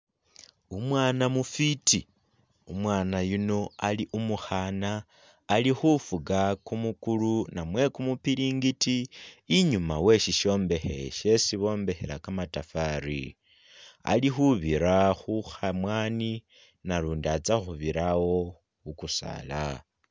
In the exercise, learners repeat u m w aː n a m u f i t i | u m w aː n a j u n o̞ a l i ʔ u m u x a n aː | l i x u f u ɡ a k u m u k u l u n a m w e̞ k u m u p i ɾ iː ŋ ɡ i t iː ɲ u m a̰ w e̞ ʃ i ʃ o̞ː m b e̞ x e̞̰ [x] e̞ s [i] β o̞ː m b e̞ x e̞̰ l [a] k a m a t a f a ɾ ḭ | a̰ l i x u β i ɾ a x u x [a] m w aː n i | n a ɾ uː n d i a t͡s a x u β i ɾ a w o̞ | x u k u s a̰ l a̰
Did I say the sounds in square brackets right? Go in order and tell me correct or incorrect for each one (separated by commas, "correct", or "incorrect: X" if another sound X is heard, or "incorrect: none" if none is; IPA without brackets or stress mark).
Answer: incorrect: ʃ, correct, correct, correct